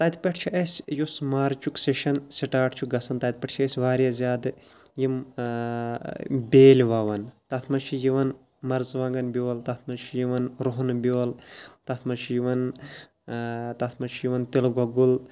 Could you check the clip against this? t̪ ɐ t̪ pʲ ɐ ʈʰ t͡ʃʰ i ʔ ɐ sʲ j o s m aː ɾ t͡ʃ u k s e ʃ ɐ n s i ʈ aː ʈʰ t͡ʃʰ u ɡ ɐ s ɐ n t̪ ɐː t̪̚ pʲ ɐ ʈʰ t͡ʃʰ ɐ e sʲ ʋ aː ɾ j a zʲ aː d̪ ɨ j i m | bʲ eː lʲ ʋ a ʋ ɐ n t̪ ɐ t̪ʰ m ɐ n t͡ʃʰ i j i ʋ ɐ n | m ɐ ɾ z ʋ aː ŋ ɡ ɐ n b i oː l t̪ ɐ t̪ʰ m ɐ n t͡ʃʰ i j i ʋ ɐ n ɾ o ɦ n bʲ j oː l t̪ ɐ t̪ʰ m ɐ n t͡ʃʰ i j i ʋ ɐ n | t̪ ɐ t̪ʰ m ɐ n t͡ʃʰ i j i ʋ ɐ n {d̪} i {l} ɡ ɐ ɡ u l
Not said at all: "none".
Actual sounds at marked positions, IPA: t̪, l

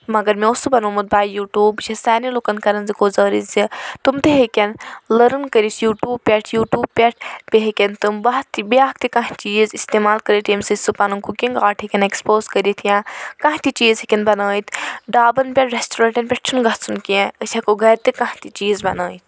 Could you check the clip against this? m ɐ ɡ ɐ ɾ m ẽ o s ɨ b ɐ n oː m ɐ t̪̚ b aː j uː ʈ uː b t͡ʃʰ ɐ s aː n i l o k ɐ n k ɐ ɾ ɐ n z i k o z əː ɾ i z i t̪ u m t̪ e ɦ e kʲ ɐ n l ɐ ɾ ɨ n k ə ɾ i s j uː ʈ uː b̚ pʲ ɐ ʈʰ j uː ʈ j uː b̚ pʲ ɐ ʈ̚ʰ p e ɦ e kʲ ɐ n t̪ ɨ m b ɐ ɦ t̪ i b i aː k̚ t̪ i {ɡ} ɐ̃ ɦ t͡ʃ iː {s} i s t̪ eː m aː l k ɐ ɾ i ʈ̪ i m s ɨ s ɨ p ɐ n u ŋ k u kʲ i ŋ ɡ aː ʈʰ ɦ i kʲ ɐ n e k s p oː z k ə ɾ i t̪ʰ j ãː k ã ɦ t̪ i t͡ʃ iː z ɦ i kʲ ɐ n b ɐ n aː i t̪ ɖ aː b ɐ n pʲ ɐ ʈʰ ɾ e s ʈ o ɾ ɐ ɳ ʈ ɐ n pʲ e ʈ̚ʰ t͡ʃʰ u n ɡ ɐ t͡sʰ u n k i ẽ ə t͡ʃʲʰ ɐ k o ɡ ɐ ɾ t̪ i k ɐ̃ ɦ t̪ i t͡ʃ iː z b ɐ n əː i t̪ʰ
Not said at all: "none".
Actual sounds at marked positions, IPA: k, z

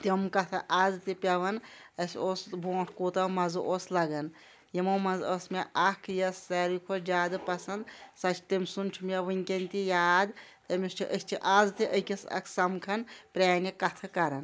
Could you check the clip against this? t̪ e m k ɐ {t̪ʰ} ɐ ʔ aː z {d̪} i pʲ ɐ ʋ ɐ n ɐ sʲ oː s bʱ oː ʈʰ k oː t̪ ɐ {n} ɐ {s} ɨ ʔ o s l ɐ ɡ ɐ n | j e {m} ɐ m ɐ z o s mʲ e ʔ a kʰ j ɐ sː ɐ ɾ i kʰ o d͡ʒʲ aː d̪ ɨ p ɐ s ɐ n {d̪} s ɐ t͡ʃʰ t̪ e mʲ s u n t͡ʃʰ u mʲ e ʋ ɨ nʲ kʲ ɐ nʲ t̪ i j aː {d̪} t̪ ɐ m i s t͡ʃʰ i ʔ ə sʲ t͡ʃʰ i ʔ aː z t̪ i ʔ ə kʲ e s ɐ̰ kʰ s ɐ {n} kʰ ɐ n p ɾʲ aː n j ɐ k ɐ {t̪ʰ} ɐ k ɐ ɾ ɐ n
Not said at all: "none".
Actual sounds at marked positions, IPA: t̪ʰ, t̪, m, z, m, d̪, d̪, m, t̪ʰ

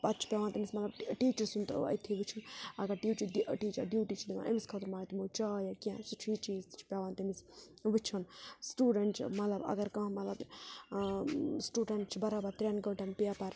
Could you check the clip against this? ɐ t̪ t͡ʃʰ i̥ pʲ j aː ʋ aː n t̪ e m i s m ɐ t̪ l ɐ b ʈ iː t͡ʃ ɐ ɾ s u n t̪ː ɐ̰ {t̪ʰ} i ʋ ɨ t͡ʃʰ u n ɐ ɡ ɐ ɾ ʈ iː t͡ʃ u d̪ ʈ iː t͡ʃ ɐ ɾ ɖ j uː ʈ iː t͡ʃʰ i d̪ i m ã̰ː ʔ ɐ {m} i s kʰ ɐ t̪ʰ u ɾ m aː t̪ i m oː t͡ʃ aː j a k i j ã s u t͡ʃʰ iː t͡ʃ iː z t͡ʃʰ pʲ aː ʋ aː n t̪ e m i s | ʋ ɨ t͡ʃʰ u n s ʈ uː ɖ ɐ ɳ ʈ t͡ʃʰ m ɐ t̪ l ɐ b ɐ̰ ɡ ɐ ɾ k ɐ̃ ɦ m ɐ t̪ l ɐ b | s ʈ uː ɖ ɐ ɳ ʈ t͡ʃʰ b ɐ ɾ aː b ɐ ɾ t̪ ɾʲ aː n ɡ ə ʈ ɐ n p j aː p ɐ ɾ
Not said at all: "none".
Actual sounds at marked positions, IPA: t̪ʰ, m

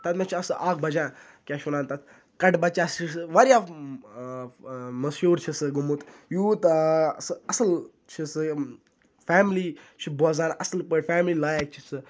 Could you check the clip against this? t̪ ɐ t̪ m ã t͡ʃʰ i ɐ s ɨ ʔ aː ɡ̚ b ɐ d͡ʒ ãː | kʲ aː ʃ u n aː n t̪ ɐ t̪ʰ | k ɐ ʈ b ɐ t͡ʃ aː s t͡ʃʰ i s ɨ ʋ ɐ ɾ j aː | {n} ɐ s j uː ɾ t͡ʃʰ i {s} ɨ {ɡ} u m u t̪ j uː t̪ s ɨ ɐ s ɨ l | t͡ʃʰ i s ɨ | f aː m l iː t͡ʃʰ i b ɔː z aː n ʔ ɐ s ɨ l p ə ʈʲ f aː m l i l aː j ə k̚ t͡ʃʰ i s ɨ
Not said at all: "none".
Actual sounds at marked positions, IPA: m, s, ɡ

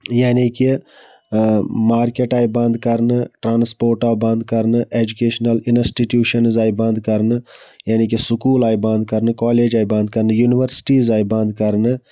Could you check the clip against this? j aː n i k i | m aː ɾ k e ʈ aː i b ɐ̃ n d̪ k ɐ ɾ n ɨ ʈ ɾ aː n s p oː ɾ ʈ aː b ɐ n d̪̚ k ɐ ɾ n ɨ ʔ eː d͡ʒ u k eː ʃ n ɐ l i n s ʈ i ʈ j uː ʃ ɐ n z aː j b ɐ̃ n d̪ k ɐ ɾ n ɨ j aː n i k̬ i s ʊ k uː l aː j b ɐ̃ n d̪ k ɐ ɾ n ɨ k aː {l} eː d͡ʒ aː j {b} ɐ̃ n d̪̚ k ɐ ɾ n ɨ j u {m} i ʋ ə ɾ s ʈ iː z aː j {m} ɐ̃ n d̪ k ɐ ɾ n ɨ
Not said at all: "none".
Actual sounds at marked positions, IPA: l, b, n, b

